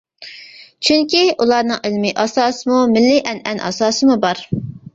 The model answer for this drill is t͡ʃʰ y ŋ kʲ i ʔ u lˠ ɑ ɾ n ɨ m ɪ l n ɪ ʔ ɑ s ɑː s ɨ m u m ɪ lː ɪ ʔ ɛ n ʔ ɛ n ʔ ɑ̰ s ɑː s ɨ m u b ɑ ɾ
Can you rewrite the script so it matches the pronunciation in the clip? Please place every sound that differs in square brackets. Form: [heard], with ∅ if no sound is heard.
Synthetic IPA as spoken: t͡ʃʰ y ŋ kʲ i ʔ u lˠ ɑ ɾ n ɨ [ŋ] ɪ l [m] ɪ ʔ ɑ s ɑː s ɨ m u m ɪ lː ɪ ʔ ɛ n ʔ ɛ n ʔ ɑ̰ s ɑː s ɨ m u b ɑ ɾ